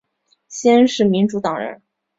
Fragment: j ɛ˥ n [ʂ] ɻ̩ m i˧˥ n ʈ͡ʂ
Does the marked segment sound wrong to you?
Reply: no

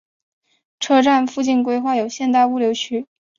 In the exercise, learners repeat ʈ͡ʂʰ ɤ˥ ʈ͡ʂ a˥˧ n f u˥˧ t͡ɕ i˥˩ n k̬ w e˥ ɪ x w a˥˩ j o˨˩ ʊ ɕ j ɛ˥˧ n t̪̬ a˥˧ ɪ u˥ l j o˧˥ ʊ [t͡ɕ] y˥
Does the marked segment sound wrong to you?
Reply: yes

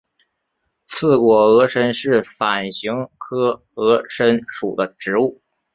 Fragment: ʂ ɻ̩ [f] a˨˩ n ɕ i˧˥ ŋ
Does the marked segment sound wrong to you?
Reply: no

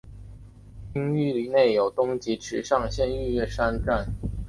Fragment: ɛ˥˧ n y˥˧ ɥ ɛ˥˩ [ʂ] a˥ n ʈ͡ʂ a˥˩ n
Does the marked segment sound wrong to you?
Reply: no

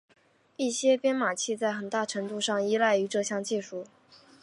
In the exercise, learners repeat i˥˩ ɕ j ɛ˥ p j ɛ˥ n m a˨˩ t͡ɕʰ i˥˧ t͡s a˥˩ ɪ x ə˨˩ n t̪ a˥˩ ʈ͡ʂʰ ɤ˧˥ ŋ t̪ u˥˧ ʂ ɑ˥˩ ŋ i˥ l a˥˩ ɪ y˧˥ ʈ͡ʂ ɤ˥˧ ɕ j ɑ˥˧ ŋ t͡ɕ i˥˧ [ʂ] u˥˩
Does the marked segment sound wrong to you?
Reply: no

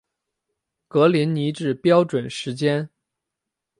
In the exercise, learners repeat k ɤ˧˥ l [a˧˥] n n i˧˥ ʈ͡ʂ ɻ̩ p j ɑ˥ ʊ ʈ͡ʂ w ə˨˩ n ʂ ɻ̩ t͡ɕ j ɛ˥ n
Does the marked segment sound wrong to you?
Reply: yes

